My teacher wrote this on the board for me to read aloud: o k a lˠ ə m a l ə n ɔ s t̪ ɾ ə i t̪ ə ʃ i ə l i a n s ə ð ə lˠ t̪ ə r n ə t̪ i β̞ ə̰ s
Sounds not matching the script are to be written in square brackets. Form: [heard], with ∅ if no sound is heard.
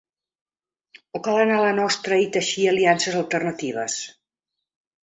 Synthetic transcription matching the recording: o k a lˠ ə [n] a l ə n ɔ s t̪ ɾ ə i t̪ ə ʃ i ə l i a n s ə [z] ə lˠ t̪ ə r n ə t̪ i β̞ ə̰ s